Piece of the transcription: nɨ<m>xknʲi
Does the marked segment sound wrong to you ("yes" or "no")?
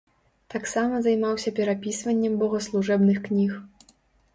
yes